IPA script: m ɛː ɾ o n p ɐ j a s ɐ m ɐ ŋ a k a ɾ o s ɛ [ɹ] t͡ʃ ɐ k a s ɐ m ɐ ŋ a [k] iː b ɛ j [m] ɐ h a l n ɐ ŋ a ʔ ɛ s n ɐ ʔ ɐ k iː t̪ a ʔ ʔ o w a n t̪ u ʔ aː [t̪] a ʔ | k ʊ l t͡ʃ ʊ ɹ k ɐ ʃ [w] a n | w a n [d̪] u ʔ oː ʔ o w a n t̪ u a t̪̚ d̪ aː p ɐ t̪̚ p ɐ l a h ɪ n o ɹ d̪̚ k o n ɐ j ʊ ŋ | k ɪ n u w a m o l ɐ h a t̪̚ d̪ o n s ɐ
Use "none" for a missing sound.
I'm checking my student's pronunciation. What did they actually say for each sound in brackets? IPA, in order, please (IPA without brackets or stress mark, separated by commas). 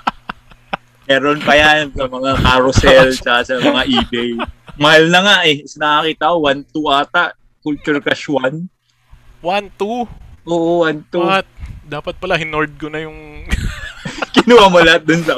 l, ʔ, m, t̪, w, t̪